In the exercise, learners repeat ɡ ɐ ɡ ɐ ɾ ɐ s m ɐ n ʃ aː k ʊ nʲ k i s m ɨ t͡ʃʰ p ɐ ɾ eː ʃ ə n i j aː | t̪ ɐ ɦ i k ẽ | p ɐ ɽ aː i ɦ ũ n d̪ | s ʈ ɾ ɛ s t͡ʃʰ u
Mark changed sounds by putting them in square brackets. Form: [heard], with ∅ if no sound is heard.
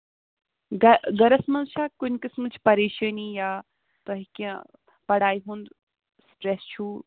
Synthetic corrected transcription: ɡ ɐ ɡ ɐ ɾ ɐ s m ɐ n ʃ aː k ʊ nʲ k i s m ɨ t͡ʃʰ p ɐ ɾ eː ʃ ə n i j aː | t̪ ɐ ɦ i k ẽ | p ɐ ɽ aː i ɦ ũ n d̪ | s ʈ ɾ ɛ s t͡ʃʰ u